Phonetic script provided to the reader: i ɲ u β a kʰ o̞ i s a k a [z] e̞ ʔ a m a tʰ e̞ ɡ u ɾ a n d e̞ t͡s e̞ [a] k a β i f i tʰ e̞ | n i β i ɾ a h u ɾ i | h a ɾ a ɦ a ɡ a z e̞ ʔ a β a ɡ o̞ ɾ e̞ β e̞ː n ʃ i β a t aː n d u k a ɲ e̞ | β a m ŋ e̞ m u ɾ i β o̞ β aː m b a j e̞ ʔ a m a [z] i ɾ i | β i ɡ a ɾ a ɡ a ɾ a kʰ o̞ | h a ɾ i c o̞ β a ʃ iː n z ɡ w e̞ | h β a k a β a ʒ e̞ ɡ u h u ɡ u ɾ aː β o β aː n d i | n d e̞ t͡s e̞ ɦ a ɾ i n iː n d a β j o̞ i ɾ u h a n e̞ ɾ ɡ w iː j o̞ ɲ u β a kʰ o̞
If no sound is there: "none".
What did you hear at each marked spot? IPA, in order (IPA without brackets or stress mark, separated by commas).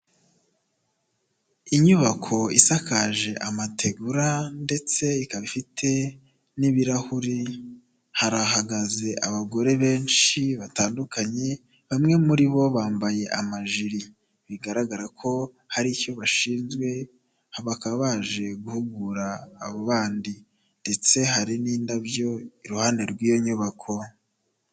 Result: ʒ, i, ʒ